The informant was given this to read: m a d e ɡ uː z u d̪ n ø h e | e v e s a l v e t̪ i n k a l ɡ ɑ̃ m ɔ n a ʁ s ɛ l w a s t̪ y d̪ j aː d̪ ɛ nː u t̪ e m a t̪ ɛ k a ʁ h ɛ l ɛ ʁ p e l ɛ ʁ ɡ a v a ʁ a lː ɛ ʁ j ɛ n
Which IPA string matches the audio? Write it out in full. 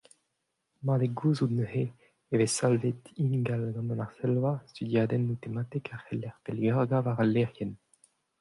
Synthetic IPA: m a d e ɡ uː z u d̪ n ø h e | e v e s a l v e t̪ i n ɡ a l ɡ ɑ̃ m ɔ n a ʁ s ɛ l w a s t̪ y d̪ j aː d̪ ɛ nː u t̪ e m a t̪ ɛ k a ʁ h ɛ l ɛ ʁ p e l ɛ ʁ ɡ a v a ʁ a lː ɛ ʁ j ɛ n